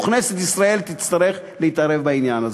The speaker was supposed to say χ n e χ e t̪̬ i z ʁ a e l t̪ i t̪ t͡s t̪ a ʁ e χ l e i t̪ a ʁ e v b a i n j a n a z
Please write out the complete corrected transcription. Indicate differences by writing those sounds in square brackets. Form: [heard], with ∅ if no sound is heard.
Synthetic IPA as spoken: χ n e [s] e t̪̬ i [s] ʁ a e l t̪ i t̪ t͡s t̪ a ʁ e χ l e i t̪ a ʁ e v b a i n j a n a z